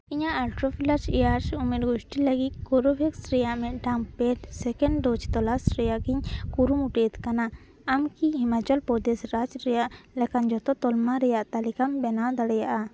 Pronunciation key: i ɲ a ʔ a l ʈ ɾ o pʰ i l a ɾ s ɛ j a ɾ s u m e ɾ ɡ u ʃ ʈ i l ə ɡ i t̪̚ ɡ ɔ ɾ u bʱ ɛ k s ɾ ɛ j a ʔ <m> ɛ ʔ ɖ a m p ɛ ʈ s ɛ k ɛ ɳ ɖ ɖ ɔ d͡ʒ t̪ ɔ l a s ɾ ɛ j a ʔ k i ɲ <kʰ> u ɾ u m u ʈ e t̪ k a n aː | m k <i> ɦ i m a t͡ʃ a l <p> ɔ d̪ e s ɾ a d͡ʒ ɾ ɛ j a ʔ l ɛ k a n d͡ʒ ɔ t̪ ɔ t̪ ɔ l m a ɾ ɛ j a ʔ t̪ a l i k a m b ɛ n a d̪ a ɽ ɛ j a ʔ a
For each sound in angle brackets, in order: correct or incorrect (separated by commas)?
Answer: correct, incorrect, correct, correct